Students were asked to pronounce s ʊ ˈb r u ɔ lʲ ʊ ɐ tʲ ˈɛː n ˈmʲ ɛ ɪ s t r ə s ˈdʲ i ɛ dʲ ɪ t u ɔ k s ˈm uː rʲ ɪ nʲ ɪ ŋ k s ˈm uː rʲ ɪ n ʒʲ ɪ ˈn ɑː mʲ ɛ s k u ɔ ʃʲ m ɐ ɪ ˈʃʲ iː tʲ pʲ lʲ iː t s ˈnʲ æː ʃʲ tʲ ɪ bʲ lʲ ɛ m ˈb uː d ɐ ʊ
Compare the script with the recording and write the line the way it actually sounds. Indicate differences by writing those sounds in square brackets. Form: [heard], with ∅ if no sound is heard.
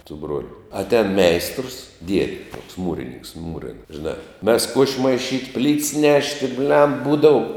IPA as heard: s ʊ ˈb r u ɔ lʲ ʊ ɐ tʲ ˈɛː n ˈmʲ ɛ ɪ s t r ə s ˈdʲ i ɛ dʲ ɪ t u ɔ k s ˈm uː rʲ ɪ nʲ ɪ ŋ k s ˈm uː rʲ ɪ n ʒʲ ɪ ˈn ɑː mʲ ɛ s k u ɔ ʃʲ m ɐ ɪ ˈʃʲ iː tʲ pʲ lʲ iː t s ˈnʲ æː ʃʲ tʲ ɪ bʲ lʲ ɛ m ˈb uː d ɐ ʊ

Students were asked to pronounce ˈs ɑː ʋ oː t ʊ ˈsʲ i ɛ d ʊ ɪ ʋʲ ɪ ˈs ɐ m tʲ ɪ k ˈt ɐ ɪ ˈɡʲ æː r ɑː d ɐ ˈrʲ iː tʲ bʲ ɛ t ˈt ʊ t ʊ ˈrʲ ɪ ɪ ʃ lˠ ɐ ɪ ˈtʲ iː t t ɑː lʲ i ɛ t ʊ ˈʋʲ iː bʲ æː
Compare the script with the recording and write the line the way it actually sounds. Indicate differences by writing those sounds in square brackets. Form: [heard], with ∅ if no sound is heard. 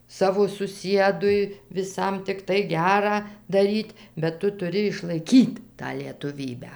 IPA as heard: ˈs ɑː ʋ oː [s] ʊ ˈsʲ i ɛ d ʊ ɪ ʋʲ ɪ ˈs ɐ m tʲ ɪ k ˈt ɐ ɪ ˈɡʲ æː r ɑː d ɐ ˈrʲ iː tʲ bʲ ɛ t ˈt ʊ t ʊ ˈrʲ ɪ ɪ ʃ lˠ ɐ ɪ [ˈkʲ] iː t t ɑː lʲ i ɛ t ʊ ˈʋʲ iː bʲ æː

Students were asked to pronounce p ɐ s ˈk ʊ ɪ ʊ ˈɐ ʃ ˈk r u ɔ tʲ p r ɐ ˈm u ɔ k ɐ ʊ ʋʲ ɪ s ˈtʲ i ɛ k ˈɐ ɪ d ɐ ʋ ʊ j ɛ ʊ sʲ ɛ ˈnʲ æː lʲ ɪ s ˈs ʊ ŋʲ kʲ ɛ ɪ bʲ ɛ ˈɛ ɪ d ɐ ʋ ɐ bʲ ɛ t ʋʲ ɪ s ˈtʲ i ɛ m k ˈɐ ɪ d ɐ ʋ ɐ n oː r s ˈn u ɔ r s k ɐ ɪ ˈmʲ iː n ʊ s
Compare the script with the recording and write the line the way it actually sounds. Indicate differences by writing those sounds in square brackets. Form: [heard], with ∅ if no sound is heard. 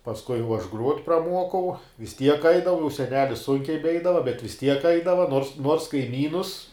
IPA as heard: p ɐ s ˈk ʊ ɪ ʊ ˈɐ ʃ [ˈɡ] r u ɔ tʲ p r ɐ ˈm u ɔ k ɐ ʊ ʋʲ ɪ s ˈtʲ i ɛ k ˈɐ ɪ d ɐ ʋ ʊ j ɛ ʊ sʲ ɛ ˈnʲ æː lʲ ɪ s ˈs ʊ ŋʲ kʲ ɛ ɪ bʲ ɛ ˈɛ ɪ d ɐ ʋ ɐ bʲ ɛ t ʋʲ ɪ s ˈtʲ i ɛ [∅] k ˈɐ ɪ d ɐ ʋ ɐ n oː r s ˈn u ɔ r s k ɐ ɪ ˈmʲ iː n ʊ s

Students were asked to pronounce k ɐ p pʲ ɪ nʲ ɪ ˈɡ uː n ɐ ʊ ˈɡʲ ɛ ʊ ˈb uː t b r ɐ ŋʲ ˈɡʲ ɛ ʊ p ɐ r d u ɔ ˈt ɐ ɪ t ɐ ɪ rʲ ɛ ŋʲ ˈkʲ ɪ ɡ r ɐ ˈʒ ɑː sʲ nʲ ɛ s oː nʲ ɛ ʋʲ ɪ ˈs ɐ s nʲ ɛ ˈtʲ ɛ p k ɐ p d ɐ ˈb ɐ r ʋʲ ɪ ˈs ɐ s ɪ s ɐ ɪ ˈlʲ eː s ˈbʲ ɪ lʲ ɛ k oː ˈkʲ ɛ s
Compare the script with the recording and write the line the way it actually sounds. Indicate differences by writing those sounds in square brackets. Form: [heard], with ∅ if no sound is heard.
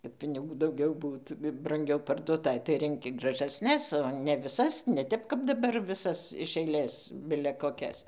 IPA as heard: k ɐ [t] pʲ ɪ nʲ ɪ ˈɡ uː [d] ɐ ʊ ˈɡʲ ɛ ʊ ˈb uː t b r ɐ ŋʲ ˈɡʲ ɛ ʊ p ɐ r d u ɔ ˈt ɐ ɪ t ɐ ɪ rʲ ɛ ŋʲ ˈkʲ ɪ ɡ r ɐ ˈʒ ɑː sʲ nʲ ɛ s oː nʲ ɛ ʋʲ ɪ ˈs ɐ s nʲ ɛ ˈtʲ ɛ p k ɐ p d ɐ ˈb ɐ r ʋʲ ɪ ˈs ɐ s ɪ [ʃ] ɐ ɪ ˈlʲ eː s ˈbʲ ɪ lʲ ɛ k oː ˈkʲ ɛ s

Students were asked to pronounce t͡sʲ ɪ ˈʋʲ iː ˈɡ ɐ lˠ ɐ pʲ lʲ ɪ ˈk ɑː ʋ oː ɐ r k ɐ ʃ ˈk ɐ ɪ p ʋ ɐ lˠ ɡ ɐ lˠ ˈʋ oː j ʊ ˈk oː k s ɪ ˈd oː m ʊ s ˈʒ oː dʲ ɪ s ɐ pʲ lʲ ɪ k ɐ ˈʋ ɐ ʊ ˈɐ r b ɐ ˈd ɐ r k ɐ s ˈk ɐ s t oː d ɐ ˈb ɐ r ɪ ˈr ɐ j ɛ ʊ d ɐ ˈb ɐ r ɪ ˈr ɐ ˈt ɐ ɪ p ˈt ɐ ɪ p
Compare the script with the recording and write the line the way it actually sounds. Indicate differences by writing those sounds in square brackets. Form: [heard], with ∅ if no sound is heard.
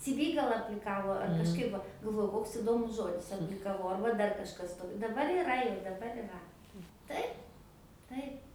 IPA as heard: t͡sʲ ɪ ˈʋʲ iː ˈɡ ɐ lˠ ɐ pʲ lʲ ɪ ˈk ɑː ʋ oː ɐ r k ɐ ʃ ˈk ɐ ɪ p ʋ ɐ [∅] ɡ ɐ lˠ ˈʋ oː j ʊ ˈk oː k s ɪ ˈd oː m ʊ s ˈʒ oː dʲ ɪ s ɐ pʲ lʲ ɪ k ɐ ˈʋ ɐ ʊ ˈɐ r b ɐ ˈd ɐ r k ɐ [ʃ] ˈk ɐ s t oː d ɐ ˈb ɐ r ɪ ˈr ɐ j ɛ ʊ d ɐ ˈb ɐ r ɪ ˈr ɐ ˈt ɐ ɪ p ˈt ɐ ɪ p

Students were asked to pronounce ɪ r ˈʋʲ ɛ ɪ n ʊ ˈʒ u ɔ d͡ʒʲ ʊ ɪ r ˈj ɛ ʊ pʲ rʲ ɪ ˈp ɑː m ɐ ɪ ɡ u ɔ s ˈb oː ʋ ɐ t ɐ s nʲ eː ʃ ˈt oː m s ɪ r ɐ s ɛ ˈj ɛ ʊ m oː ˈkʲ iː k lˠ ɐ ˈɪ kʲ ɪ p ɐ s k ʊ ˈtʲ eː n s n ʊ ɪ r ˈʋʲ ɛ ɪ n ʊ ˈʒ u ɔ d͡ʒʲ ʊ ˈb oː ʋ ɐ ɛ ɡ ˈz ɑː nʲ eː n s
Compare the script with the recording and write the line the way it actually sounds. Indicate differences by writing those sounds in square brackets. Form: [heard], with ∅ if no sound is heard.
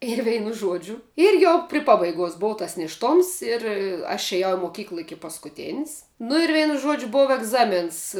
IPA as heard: ɪ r ˈʋʲ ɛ ɪ n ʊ ˈʒ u ɔ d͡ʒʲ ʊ ɪ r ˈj ɛ ʊ pʲ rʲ ɪ ˈp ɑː [b] ɐ ɪ ɡ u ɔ s ˈb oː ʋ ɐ t ɐ s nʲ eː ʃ ˈt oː m s ɪ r ɐ [ʃ] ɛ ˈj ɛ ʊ m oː ˈkʲ iː k lˠ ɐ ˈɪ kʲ ɪ p ɐ s k ʊ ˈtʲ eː n s n ʊ ɪ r ˈʋʲ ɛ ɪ n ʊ ˈʒ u ɔ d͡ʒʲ ʊ ˈb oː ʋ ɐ ɛ ɡ ˈz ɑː [mʲ] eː n s

